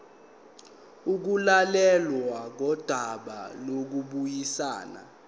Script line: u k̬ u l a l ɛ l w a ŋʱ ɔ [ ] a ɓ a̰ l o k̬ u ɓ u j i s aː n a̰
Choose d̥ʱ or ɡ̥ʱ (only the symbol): d̥ʱ